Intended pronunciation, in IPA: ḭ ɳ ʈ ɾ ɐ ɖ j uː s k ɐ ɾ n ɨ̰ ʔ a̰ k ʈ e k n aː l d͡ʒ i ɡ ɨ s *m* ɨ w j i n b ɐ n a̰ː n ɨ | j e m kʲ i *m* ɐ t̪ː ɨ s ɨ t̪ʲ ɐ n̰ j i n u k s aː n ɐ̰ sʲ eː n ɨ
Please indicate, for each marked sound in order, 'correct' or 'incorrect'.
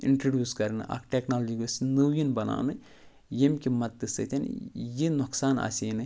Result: incorrect, correct

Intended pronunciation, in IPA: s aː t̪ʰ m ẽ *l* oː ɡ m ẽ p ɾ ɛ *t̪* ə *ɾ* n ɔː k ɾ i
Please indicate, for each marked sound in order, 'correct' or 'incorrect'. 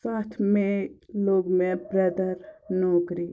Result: correct, incorrect, correct

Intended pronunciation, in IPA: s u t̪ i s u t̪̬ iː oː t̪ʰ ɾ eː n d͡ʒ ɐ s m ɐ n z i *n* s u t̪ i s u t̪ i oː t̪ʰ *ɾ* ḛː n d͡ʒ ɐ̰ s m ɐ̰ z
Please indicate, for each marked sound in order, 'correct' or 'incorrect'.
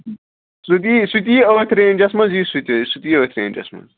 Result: incorrect, correct

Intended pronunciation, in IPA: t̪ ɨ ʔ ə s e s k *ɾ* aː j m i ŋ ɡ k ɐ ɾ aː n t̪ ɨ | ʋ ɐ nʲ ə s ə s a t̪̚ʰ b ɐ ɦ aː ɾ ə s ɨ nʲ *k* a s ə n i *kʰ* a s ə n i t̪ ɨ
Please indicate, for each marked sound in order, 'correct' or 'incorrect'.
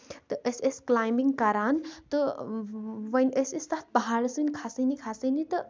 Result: incorrect, incorrect, correct

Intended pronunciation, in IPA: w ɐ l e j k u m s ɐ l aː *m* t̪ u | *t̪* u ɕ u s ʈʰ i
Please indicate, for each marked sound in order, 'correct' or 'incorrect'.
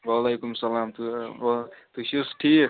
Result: correct, correct

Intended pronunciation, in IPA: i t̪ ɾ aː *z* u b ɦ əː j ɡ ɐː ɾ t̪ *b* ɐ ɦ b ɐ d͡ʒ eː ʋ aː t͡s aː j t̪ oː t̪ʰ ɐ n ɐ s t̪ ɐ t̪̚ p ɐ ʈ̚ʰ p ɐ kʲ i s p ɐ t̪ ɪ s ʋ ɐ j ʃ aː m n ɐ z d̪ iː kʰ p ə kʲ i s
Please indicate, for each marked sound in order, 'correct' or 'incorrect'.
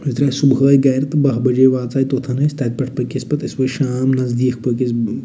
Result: incorrect, correct

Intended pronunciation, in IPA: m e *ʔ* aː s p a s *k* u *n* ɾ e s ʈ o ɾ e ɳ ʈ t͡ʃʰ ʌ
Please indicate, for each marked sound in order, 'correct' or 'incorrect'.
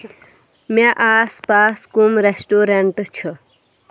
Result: correct, correct, incorrect

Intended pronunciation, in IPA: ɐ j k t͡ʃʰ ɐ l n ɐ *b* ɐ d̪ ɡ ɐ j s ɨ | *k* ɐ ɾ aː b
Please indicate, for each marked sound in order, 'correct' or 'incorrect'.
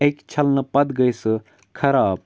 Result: incorrect, incorrect

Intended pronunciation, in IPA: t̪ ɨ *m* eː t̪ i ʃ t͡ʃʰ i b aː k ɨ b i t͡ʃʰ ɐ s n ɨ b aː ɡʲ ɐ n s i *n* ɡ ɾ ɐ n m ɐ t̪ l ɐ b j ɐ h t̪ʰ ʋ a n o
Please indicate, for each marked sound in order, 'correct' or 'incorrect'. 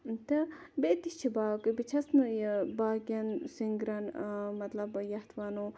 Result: incorrect, incorrect

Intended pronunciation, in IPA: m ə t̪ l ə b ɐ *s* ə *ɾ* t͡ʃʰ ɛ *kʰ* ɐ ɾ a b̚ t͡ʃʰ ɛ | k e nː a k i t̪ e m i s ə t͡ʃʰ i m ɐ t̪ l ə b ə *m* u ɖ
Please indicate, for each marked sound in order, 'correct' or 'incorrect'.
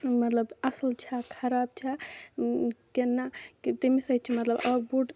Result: correct, incorrect, correct, incorrect

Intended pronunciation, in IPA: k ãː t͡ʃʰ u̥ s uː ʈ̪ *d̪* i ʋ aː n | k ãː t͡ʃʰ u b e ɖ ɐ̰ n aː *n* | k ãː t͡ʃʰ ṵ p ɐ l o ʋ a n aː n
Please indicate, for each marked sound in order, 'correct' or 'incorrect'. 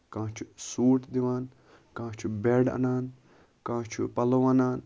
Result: correct, correct

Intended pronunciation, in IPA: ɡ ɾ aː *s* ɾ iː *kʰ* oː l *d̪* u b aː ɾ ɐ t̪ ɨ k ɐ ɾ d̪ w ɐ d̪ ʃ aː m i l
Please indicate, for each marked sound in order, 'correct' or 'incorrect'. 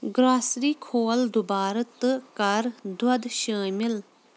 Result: correct, correct, correct

